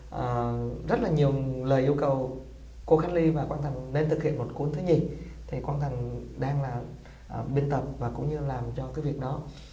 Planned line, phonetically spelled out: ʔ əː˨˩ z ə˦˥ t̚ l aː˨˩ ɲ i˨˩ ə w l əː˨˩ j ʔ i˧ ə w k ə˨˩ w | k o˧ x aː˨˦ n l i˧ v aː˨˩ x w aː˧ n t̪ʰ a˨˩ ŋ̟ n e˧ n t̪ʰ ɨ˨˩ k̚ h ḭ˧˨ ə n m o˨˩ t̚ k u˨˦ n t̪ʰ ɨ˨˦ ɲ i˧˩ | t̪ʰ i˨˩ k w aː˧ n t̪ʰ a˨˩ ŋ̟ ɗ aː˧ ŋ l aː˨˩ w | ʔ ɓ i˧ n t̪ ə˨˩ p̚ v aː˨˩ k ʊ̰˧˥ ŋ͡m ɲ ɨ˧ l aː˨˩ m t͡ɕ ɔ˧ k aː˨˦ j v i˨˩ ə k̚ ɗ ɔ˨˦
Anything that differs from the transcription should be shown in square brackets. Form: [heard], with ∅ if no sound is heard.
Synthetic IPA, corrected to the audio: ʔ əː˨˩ z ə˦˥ t̚ l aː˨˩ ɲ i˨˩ ə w l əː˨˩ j ʔ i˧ ə w k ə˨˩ w | k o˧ x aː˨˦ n l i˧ v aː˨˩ [k] w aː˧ n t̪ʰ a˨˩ ŋ̟ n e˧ n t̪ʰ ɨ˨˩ k̚ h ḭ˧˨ ə n m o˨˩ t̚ k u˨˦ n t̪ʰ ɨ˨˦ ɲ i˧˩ | t̪ʰ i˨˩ k w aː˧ n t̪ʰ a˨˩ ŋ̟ ɗ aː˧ ŋ l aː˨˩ [∅] | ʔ ɓ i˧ n t̪ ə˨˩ p̚ v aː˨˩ k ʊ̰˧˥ ŋ͡m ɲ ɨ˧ l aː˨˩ m t͡ɕ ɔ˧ k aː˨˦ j v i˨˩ ə k̚ ɗ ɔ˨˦